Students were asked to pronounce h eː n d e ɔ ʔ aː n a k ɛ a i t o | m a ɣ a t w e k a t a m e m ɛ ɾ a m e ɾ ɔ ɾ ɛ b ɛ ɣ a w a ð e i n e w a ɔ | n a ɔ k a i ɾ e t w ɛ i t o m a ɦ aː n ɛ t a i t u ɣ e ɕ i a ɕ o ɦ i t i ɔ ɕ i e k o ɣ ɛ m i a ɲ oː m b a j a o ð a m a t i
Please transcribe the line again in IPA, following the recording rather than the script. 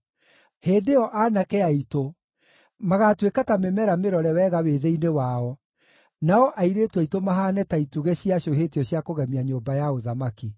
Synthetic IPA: h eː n d e ɔ ʔ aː n a k ɛ a i t o | m a ɣ a t w e k a t a m e m ɛ ɾ a m e ɾ ɔ ɾ ɛ w ɛ ɣ a w e ð e i n e w a ɔ | n a ɔ ʔ a i ɾ e t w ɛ i t o m a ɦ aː n ɛ t a i t u ɣ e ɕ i a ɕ o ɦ e t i ɔ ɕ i a k o ɣ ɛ m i a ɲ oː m b a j a o ð a m a k i